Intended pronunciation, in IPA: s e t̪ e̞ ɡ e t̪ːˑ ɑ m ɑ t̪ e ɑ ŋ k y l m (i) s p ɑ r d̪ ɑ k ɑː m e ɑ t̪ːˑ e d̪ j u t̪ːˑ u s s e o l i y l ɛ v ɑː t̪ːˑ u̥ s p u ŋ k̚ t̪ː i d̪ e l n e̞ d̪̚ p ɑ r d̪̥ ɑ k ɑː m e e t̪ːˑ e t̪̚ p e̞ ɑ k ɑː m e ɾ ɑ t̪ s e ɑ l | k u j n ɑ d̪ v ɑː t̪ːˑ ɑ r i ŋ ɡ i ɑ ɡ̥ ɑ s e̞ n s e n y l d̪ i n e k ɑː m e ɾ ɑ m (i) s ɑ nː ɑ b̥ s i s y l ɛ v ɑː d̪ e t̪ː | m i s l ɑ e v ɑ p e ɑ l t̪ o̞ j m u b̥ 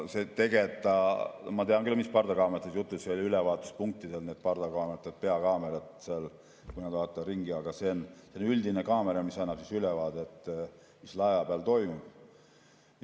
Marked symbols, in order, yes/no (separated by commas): yes, yes